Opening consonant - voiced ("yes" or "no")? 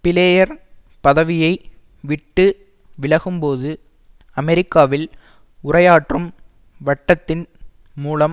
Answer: no